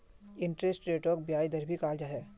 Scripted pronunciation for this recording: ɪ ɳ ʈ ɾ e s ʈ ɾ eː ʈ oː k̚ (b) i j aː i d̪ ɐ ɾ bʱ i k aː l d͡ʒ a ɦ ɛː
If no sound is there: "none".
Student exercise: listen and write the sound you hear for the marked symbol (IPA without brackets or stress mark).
b